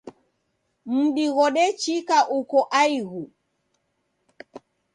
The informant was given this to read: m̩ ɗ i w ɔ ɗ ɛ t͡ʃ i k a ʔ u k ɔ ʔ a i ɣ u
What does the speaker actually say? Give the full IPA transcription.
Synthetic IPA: m̩ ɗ i ɣ ɔ ɗ ɛ t͡ʃ i k a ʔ u k ɔ ʔ a i ɣ u